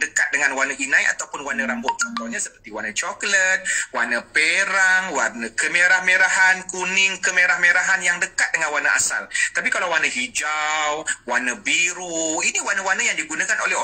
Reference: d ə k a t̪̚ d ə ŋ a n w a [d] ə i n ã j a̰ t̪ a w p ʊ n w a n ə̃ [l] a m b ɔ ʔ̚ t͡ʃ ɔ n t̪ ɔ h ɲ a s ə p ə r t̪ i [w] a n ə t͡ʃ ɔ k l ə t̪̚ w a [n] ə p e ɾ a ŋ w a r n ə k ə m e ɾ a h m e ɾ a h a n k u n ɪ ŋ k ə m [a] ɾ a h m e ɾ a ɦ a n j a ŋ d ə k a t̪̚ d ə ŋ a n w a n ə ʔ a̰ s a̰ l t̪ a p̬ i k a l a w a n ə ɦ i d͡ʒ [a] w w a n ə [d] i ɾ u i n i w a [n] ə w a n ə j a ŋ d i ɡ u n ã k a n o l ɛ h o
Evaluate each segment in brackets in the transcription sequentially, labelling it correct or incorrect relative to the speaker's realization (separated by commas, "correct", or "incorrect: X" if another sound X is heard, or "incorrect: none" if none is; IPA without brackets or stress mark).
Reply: incorrect: n, incorrect: ɾ, correct, correct, incorrect: e, correct, incorrect: b, correct